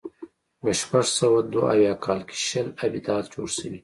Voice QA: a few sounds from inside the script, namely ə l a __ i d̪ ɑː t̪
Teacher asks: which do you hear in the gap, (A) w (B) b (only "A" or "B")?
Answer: B